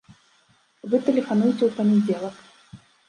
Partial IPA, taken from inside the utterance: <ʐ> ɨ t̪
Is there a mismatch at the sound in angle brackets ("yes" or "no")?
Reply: yes